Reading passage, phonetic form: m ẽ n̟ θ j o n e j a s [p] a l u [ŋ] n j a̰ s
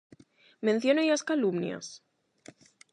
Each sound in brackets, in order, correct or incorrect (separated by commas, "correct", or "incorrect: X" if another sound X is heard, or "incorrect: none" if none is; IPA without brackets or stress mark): incorrect: k, incorrect: m